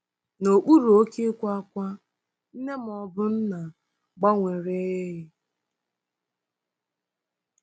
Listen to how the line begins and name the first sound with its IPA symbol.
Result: n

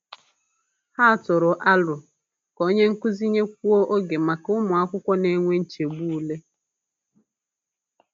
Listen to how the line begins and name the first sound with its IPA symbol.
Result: h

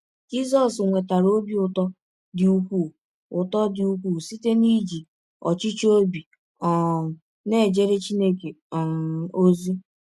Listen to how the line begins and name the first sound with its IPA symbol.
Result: d͡ʒ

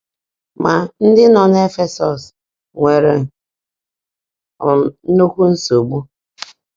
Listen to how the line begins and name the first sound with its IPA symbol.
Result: m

